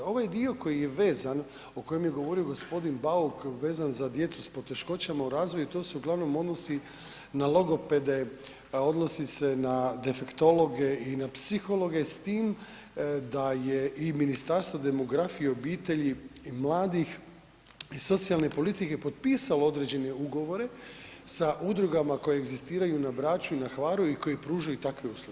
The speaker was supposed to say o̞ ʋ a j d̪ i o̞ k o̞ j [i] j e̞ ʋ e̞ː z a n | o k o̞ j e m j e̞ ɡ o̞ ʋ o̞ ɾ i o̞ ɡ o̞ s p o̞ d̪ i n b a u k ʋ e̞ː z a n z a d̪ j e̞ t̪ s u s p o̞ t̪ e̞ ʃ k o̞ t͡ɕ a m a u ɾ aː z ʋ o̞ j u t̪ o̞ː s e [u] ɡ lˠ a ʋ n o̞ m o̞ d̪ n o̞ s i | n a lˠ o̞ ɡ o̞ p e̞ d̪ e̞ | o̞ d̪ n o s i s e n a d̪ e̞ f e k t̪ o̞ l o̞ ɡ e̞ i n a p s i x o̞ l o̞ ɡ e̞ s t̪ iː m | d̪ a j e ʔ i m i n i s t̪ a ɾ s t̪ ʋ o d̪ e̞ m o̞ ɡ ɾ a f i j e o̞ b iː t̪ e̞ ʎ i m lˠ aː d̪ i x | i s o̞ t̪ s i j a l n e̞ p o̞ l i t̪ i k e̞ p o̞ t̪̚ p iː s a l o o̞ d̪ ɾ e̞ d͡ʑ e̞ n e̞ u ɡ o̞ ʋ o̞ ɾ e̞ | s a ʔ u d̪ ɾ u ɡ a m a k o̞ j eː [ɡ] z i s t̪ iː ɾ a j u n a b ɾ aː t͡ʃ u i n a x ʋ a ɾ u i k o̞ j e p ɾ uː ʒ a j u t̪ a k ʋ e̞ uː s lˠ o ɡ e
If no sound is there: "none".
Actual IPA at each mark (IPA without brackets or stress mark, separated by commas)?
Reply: i, u, ɡ